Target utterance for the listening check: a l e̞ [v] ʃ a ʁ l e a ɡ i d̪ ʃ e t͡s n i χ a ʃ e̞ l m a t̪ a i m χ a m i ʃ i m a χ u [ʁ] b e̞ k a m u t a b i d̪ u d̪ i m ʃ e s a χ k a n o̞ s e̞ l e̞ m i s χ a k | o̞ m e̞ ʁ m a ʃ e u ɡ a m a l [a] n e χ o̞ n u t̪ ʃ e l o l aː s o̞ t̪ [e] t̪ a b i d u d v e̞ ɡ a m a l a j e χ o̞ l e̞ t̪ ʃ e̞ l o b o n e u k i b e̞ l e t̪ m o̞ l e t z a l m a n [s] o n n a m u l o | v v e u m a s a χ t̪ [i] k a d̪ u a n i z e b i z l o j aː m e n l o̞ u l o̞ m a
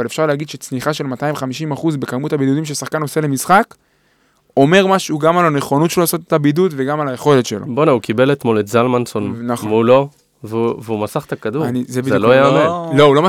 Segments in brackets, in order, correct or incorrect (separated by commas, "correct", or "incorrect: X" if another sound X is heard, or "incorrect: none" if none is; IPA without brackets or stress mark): incorrect: f, incorrect: z, correct, correct, correct, incorrect: a